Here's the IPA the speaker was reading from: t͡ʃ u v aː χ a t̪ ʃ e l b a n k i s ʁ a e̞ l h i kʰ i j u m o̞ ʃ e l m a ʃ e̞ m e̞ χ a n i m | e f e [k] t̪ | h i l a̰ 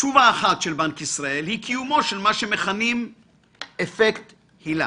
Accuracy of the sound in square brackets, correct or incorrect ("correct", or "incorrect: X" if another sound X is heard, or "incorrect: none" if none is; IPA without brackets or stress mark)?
correct